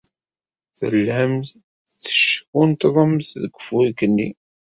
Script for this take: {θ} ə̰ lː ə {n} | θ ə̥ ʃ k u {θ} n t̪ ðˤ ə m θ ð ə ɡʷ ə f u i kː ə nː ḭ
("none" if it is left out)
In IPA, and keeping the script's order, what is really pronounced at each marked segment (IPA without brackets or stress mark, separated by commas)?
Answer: θ, m, none